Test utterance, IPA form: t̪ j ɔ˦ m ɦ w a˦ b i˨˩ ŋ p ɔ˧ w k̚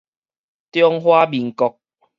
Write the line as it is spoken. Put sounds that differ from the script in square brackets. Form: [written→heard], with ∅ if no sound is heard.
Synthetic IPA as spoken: t̪ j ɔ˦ [m→ŋ] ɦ w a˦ b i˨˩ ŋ [p→k] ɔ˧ [w→∅] k̚